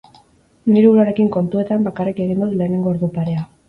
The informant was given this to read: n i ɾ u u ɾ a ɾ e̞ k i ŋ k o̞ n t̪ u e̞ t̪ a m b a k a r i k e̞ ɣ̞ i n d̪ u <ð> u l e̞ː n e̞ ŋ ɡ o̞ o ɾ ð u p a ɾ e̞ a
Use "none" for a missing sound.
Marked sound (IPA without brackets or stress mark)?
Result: ð